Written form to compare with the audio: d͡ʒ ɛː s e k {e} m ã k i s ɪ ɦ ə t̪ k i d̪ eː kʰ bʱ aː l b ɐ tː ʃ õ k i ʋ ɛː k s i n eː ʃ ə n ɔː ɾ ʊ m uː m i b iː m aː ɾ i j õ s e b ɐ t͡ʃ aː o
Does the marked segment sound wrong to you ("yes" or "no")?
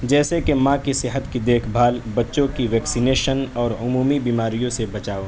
no